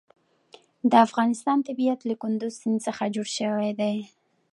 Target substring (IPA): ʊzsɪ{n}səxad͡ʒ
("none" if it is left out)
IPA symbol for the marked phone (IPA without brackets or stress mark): n